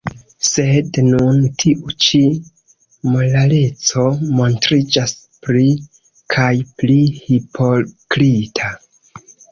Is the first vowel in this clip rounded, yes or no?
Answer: no